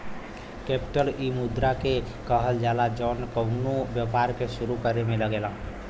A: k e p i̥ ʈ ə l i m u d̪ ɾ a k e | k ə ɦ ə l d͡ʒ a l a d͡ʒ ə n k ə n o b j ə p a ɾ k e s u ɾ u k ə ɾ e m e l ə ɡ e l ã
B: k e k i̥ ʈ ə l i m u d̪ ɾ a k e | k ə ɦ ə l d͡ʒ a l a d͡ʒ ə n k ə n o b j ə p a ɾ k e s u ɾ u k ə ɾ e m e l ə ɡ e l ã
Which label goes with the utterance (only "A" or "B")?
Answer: A